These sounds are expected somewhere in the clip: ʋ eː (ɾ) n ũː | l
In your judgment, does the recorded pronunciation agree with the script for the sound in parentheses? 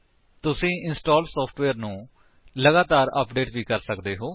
yes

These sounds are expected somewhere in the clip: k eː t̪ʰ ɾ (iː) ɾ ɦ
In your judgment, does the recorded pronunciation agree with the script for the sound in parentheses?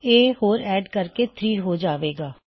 yes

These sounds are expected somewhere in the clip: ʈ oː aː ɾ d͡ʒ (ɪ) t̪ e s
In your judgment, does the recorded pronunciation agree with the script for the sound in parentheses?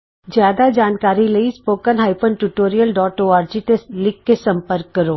no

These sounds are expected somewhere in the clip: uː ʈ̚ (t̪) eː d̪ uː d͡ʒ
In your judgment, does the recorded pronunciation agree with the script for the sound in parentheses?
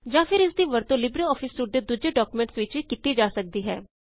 no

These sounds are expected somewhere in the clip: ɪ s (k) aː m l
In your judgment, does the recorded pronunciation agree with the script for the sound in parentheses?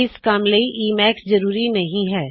yes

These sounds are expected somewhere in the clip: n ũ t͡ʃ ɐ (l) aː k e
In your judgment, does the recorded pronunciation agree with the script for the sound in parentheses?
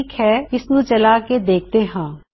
yes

